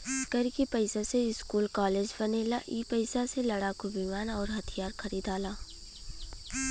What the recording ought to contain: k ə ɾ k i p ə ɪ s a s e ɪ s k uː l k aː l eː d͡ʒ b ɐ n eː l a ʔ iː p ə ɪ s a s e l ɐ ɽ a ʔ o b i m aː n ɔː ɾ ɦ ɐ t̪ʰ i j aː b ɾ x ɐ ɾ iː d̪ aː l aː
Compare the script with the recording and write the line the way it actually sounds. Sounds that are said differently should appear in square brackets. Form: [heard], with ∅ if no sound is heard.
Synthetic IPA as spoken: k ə ɾ k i p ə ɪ s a s e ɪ s k uː l k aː l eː d͡ʒ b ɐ n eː l a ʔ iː p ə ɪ s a s e l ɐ ɽ a [k] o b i m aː n ɔː ɾ ɦ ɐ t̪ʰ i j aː [∅] ɾ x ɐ ɾ iː d̪ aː l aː